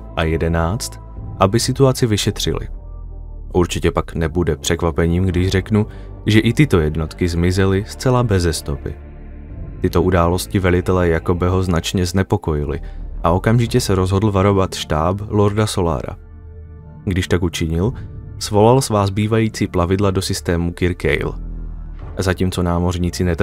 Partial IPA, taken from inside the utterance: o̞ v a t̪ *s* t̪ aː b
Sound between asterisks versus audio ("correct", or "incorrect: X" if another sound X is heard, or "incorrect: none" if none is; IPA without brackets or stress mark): incorrect: ʃ